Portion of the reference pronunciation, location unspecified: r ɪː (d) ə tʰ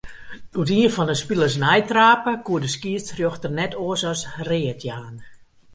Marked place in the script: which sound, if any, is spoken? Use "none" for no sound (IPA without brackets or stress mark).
none